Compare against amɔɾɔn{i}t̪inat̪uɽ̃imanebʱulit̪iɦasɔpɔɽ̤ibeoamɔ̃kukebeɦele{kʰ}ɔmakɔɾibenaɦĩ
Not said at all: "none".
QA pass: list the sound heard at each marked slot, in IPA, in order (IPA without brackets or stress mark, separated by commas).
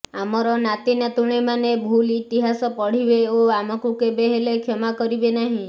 a, kʰ